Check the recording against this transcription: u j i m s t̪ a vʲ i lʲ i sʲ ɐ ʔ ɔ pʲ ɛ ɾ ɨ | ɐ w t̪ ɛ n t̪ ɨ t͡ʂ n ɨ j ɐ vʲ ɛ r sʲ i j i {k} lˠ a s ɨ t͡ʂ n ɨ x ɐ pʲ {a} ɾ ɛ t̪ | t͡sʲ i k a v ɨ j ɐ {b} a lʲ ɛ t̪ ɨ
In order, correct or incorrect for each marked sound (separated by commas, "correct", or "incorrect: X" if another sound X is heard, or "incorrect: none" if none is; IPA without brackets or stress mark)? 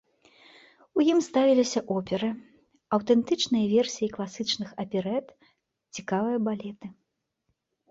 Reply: correct, incorrect: ɛ, correct